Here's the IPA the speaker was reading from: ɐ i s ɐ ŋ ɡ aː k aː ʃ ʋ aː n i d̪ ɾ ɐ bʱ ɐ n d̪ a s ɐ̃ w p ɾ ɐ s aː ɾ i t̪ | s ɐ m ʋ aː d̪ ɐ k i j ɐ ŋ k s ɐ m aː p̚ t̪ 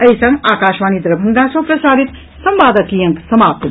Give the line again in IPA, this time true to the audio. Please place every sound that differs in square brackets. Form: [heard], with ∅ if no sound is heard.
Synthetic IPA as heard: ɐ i s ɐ ŋ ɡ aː k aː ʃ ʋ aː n i d̪ ɾ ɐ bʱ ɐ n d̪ a s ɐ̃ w p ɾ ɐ s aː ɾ i t̪ | s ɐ m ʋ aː d̪ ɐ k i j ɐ ŋ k s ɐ m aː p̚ t̪